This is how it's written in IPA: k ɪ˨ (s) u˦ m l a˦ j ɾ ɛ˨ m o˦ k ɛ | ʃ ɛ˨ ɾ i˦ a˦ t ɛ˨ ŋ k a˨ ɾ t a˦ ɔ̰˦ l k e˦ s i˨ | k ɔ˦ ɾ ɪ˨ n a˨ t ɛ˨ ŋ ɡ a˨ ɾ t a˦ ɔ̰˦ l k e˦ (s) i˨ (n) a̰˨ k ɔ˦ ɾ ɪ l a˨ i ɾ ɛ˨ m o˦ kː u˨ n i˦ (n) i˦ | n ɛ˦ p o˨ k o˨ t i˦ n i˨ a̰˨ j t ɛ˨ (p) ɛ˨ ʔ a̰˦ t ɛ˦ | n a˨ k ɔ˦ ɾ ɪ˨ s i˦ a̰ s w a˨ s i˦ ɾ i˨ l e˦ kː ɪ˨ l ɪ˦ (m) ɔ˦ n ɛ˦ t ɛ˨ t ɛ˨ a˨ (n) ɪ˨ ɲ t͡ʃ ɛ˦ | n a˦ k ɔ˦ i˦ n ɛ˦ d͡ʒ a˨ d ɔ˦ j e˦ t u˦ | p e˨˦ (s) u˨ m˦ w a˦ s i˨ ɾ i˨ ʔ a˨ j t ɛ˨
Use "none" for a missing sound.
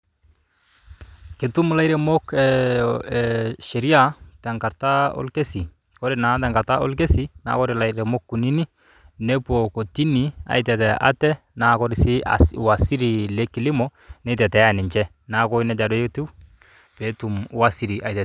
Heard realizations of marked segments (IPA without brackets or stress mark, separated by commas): t, s, n, n, t, m, n, t